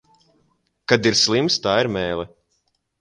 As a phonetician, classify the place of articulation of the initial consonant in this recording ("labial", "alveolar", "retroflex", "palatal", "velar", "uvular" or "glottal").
velar